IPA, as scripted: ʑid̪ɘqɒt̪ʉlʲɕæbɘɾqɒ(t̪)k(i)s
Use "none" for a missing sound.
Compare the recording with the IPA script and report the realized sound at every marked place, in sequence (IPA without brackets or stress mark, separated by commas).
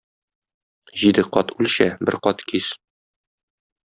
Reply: t̪, i